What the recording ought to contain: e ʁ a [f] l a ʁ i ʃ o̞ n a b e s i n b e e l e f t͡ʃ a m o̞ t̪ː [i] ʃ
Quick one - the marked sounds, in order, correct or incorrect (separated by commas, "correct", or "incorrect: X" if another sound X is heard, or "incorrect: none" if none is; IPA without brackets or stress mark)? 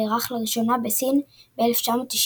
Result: incorrect: χ, correct